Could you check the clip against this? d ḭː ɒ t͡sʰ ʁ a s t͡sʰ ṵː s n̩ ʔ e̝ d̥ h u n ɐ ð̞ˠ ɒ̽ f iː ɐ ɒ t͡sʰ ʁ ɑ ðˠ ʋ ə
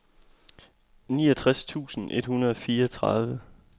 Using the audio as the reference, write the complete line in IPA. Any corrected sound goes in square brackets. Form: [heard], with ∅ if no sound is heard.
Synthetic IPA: [n] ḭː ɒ t͡sʰ ʁ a s t͡sʰ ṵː s n̩ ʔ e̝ d̥ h u n ɐ ð̞ˠ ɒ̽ f iː ɐ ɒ t͡sʰ ʁ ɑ ðˠ ʋ ə